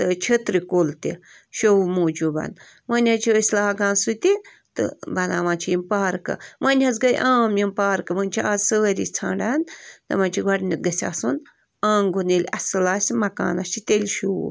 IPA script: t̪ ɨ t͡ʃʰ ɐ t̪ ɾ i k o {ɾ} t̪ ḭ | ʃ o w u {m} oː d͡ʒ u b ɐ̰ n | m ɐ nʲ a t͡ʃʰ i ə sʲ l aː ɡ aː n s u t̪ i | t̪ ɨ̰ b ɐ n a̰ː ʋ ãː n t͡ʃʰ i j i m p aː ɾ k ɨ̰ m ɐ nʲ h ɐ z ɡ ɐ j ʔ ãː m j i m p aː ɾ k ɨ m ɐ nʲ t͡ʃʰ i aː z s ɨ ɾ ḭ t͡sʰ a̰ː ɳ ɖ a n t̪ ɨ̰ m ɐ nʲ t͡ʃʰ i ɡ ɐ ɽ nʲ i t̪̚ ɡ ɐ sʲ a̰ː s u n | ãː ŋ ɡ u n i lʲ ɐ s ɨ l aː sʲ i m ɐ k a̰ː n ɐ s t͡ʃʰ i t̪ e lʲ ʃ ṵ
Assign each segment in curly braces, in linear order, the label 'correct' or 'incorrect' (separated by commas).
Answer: incorrect, correct